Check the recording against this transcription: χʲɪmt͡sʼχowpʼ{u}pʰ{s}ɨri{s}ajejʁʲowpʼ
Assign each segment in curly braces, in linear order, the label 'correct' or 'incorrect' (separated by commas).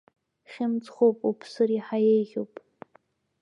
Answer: correct, correct, incorrect